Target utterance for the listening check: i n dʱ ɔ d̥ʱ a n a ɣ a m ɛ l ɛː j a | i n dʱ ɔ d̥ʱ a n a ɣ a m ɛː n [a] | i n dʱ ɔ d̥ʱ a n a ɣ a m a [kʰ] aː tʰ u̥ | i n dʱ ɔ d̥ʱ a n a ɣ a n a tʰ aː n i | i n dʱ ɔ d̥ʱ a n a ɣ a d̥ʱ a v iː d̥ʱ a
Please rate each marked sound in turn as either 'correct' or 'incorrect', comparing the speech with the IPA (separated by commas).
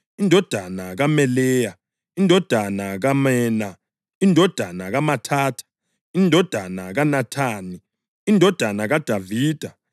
correct, incorrect